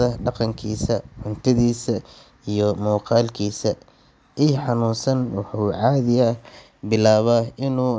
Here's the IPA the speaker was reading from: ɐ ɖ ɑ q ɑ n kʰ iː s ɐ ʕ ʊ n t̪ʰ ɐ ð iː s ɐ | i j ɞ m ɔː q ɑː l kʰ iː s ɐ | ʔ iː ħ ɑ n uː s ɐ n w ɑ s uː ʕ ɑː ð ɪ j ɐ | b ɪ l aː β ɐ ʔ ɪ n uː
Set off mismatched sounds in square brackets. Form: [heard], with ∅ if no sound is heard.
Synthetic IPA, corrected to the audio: ɐ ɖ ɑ q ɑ [ŋ] kʰ iː s ɐ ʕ ʊ n t̪ʰ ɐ ð iː s ɐ | i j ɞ m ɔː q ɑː l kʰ iː s ɐ | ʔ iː ħ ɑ n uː s ɐ n w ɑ [ħ] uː ʕ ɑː ð ɪ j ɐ | b ɪ l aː β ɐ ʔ ɪ n uː